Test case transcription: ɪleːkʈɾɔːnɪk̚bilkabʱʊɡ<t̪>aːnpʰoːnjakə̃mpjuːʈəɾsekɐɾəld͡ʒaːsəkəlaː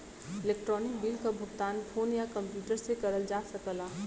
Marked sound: correct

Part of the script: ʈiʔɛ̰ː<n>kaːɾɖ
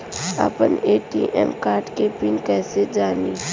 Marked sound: incorrect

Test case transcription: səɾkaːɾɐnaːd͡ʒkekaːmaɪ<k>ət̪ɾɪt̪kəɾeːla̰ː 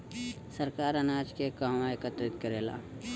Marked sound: correct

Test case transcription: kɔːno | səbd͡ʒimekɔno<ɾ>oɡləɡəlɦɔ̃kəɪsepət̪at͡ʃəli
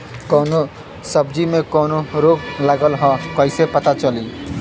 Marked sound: correct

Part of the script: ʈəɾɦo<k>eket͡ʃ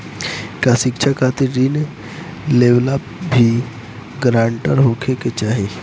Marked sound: incorrect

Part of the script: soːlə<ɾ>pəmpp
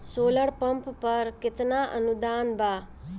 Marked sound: incorrect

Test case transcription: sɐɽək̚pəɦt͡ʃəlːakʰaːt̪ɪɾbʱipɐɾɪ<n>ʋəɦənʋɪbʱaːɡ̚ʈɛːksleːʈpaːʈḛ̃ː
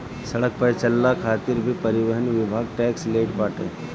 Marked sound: incorrect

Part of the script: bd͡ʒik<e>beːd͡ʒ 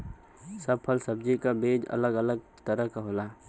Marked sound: incorrect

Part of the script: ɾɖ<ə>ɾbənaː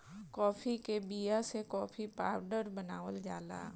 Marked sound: correct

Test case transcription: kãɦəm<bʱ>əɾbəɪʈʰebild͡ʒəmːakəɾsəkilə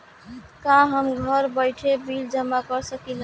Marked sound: incorrect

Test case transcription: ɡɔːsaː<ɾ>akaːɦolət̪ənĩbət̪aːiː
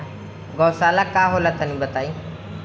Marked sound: incorrect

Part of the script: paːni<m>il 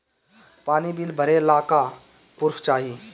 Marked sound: incorrect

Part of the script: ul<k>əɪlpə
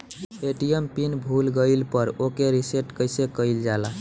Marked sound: incorrect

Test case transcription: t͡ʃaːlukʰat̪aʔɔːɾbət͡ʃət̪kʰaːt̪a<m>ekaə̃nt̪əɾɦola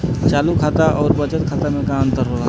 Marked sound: correct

